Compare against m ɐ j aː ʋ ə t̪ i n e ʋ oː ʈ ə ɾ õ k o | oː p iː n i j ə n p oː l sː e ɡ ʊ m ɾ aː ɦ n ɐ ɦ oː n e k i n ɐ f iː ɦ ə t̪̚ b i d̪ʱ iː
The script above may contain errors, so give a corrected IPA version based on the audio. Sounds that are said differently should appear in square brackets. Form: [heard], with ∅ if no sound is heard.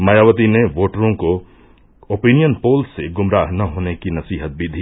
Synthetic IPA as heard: m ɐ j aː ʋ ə t̪ i n e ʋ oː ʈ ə ɾ õ k o | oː p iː n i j ə n p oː l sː e ɡ ʊ m ɾ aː ɦ n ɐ ɦ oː n e k i n ɐ [s] iː ɦ ə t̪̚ b i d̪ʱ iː